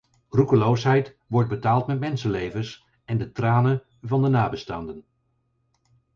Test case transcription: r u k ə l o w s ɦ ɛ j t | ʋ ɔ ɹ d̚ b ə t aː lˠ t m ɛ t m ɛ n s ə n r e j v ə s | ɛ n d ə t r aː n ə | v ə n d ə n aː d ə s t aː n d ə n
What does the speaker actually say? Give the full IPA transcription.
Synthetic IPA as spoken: r u k ə l o w s ɦ ɛ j t | ʋ ɔ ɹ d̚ b ə t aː lˠ t m ɛ t m ɛ n s ə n l e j v ə s | ɛ n d ə t r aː n ə | v ɑ n d ə n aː b ə s t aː n d ə n